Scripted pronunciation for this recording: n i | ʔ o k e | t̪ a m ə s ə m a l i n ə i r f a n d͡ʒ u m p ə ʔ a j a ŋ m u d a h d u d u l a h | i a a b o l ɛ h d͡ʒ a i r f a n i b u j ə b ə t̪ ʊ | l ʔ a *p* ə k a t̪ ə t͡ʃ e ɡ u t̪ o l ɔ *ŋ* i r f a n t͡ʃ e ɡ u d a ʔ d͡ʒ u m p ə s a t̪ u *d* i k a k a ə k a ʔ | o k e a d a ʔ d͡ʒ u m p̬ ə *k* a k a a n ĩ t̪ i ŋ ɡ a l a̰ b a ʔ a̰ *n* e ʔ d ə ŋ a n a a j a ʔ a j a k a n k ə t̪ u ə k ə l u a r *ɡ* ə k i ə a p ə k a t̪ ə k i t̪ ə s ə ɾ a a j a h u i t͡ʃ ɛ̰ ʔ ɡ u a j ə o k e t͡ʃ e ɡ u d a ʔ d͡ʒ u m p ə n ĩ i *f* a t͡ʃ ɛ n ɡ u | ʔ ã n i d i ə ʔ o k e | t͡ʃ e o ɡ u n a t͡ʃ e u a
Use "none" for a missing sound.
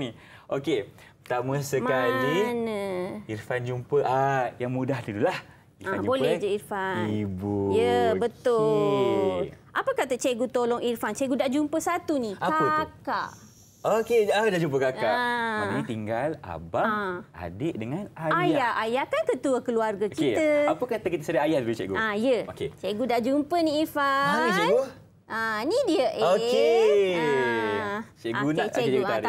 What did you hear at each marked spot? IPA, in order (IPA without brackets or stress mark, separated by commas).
p, ŋ, n, k, d, ɡ, f